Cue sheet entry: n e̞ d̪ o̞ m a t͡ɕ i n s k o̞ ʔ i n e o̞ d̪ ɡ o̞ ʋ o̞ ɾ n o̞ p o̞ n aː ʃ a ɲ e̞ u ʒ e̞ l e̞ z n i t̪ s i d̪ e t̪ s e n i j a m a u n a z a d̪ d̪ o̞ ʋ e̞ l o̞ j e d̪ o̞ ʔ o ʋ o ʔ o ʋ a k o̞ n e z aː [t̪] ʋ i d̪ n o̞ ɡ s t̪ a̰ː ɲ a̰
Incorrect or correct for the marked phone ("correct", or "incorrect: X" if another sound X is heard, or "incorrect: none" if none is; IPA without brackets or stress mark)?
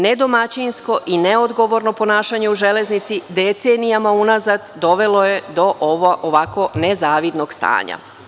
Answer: incorrect: none